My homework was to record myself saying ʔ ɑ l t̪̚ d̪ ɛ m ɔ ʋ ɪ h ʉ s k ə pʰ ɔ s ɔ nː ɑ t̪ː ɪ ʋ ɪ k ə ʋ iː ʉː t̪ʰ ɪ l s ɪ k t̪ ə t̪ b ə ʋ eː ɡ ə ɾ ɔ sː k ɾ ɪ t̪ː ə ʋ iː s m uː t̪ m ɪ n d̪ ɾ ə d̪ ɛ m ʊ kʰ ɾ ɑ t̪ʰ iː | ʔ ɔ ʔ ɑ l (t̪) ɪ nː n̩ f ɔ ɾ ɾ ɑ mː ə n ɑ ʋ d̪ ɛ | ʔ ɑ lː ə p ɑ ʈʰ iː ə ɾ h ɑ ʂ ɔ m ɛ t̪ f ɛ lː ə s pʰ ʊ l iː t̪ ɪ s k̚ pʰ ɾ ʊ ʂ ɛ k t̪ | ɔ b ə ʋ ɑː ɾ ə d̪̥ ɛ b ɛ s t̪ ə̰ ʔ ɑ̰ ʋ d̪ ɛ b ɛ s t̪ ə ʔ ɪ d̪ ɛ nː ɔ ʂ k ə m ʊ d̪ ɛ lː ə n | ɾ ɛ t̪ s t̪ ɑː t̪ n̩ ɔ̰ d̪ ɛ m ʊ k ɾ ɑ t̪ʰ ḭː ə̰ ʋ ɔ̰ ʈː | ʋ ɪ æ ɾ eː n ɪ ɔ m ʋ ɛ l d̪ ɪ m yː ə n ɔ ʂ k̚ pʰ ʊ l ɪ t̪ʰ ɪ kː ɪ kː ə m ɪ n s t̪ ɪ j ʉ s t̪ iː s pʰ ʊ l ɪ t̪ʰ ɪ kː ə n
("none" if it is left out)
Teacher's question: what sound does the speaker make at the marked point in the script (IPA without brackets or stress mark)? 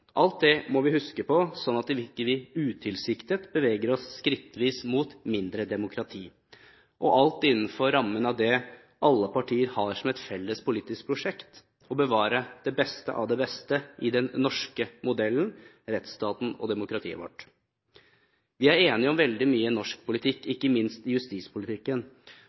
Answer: t̪